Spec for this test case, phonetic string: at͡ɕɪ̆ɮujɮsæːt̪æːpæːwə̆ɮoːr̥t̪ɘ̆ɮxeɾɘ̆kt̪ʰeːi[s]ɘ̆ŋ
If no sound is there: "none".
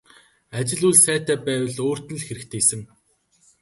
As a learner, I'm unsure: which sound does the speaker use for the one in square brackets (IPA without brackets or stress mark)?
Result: s